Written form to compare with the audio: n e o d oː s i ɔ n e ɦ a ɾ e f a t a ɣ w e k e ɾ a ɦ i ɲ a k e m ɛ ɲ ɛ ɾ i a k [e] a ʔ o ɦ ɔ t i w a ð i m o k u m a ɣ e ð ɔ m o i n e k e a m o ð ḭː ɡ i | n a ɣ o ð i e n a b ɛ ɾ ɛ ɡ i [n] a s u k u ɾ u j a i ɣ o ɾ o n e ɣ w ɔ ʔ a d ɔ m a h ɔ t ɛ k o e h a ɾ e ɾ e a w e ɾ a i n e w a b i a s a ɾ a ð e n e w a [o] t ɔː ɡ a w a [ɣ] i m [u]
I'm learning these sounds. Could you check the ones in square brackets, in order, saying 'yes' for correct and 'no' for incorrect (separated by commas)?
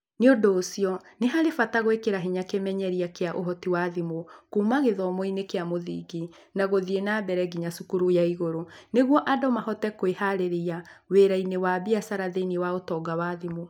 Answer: yes, no, yes, no, no